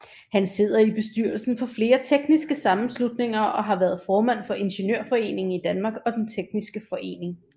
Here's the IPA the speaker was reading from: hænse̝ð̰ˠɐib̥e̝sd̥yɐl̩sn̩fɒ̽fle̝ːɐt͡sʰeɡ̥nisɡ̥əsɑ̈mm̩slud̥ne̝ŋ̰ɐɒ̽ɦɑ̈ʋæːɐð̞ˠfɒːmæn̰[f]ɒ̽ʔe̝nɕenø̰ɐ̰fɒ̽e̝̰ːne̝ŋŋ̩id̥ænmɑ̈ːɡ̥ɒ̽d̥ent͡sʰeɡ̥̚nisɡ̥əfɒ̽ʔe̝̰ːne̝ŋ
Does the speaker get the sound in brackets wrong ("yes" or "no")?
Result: no